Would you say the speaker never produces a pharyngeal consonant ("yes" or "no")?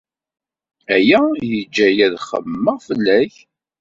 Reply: yes